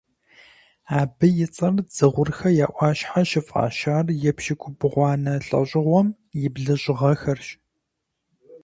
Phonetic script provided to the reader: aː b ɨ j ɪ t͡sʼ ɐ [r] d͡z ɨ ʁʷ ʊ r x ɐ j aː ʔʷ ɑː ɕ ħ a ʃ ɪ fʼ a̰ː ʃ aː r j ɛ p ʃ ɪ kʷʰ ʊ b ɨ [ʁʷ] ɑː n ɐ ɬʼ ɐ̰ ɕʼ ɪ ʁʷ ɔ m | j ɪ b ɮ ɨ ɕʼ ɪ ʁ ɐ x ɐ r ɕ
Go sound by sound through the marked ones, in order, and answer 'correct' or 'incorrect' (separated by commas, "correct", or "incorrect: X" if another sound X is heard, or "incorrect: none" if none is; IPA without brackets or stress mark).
correct, correct